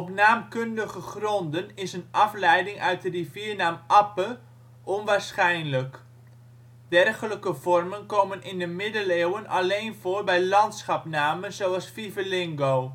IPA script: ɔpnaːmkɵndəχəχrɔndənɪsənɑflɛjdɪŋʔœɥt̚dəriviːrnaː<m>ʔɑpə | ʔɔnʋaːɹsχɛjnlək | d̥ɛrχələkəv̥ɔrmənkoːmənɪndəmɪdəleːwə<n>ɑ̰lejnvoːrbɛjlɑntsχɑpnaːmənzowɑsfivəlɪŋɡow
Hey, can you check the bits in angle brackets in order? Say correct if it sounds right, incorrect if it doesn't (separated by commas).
correct, correct